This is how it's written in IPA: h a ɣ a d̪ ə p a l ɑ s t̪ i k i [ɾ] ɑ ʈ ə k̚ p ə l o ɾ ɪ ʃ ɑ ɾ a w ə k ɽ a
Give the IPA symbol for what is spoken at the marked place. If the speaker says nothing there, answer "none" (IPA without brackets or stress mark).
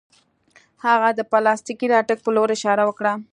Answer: ɾ